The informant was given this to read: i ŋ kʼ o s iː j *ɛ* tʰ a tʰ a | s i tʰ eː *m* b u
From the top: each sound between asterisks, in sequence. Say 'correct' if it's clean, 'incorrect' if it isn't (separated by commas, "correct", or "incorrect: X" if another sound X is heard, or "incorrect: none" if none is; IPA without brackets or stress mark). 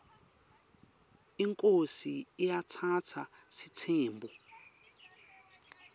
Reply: incorrect: a, correct